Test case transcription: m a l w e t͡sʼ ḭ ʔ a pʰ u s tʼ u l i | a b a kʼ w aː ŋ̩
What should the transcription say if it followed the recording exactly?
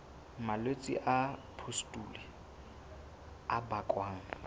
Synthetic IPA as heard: m a l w e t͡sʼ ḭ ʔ a pʰ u s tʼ u l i | a b a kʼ w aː ŋ̩